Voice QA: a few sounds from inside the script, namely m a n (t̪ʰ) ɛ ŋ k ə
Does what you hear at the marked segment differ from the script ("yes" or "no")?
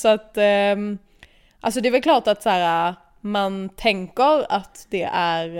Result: no